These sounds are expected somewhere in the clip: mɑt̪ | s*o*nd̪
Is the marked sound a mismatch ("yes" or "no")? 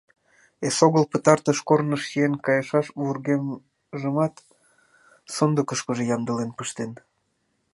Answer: no